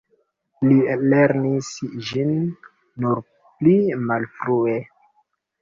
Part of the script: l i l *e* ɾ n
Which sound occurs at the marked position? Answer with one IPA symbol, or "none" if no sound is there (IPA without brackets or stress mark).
e